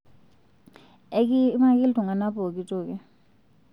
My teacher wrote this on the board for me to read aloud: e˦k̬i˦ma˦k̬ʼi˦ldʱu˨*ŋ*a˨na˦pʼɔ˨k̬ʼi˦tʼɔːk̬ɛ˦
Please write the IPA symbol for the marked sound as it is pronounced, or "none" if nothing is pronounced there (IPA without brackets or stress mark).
ŋ